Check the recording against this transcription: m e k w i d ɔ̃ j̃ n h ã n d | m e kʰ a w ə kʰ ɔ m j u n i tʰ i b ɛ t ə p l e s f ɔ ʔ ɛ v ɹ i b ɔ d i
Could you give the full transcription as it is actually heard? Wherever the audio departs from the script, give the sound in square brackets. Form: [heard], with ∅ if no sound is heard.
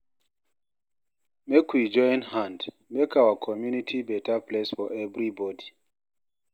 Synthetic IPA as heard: m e k w i [d͡ʒ] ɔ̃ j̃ n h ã n d | m e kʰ a w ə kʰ ɔ m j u n i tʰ i b ɛ t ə p l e s f ɔ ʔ ɛ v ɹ i b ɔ d i